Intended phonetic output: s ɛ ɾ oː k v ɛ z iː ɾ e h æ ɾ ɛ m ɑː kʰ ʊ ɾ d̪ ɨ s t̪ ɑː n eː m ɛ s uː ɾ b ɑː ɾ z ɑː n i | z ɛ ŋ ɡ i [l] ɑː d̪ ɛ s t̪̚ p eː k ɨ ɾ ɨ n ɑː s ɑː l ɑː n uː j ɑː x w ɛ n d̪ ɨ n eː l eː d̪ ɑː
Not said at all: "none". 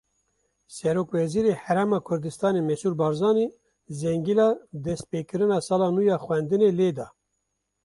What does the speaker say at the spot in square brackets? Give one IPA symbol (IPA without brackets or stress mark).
l